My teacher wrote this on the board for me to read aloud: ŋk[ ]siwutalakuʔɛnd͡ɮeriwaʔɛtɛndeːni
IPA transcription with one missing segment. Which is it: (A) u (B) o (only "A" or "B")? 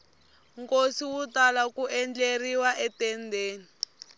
B